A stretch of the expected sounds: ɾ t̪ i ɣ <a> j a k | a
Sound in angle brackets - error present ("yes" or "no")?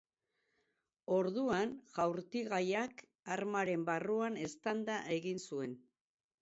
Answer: no